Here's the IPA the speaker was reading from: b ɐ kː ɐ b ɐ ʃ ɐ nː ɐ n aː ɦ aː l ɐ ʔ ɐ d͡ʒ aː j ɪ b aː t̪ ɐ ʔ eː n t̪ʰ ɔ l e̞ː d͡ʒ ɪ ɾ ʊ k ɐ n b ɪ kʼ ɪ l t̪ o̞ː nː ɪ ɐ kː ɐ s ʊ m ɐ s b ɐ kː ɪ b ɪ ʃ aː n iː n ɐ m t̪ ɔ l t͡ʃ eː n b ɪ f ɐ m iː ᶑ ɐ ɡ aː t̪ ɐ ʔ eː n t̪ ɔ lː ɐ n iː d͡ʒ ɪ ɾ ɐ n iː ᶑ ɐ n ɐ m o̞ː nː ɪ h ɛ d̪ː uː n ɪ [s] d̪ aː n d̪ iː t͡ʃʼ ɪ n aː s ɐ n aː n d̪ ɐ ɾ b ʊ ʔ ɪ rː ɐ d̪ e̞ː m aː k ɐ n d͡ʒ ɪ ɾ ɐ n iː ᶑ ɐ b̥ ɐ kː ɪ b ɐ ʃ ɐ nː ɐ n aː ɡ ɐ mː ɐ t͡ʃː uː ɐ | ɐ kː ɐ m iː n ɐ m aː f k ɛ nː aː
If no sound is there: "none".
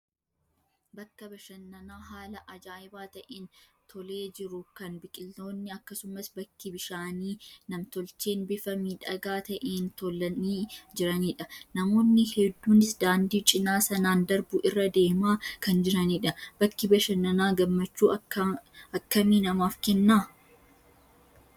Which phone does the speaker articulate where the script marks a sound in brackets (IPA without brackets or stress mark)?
s